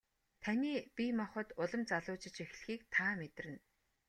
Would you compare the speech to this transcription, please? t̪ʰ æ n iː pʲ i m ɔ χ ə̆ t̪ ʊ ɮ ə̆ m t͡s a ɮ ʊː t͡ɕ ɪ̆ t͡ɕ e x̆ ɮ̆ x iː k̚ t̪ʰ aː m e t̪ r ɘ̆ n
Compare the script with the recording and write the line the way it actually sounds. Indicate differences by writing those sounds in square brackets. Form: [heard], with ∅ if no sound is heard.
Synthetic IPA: t̪ʰ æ n iː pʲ i m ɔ χ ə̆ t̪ ʊ ɮ ə̆ m t͡s a ɮ ʊː t͡ɕ ɪ̆ t͡ɕ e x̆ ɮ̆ x iː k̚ t̪ʰ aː m e t̪ r ɘ̆ n